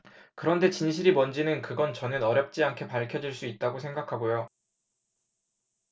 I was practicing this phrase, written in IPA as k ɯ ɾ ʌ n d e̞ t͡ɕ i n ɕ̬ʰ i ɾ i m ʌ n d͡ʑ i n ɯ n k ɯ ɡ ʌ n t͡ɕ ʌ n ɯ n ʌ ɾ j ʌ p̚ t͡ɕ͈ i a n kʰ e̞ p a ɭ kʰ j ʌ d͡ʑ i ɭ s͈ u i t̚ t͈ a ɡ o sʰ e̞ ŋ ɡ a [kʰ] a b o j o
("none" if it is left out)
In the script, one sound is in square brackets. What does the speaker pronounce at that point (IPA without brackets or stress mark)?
kʰ